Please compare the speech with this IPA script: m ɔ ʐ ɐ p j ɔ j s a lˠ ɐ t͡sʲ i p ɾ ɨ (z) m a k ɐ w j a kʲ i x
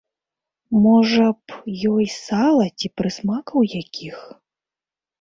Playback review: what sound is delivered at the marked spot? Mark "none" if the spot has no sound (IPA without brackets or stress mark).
s